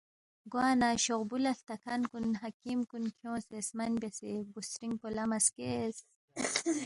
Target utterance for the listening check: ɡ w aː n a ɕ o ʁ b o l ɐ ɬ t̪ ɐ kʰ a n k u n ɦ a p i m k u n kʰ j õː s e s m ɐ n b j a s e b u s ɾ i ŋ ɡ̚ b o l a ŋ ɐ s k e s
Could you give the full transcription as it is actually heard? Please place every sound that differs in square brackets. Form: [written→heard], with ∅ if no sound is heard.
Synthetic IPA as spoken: ɡ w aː n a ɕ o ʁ b [o→u] l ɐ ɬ t̪ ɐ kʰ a n k u n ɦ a [p→k] i m k u n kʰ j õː s e s m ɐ n b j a s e b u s ɾ i ŋ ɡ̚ [b→p] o l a [ŋ→m] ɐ s k e s